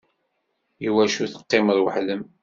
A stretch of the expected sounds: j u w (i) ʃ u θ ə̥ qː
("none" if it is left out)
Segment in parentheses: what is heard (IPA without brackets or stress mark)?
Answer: æ